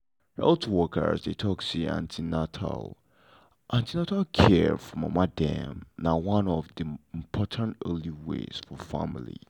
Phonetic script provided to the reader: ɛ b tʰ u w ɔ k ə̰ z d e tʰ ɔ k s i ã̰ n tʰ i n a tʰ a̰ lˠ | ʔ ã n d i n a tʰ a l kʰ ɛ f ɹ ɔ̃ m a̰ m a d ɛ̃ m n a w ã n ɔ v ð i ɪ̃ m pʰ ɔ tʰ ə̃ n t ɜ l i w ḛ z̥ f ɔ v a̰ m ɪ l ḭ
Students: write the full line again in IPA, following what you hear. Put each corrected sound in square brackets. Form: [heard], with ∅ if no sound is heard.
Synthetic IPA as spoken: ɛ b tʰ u w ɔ k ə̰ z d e tʰ ɔ k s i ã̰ n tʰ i n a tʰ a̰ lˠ | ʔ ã n [t] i n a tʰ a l kʰ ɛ f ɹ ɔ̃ m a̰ m a d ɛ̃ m n a w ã n ɔ v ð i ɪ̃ m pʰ ɔ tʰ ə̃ n t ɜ l i w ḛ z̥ f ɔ [f] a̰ m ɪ l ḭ